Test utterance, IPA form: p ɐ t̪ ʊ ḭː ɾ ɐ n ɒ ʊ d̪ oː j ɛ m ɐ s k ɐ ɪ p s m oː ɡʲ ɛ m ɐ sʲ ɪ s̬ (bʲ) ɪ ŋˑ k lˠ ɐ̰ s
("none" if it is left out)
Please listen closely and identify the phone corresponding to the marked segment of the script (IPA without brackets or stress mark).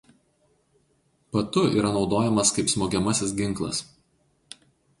ɡʲ